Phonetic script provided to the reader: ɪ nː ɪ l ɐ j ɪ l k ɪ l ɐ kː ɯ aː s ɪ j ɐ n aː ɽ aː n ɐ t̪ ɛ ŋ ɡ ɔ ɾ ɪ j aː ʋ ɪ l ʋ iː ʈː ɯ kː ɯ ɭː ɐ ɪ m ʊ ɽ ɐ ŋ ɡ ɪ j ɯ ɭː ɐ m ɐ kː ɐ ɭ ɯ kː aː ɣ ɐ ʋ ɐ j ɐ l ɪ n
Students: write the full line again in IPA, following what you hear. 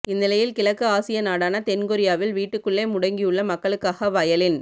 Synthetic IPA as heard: ɪ nː ɪ l ɐ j ɪ l k ɪ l ɐ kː ɯ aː s ɪ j ɐ n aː ɽ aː n ɐ t̪ ɛ n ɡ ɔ ɾ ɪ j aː ʋ ɪ l ʋ iː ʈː ɯ kː ɯ ɭː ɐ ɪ m ʊ ɽ ɐ ŋ ɡ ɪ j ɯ ɭː ɐ m ɐ kː ɐ ɭ ɯ kː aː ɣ ɐ ʋ ɐ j ɐ l ɪ n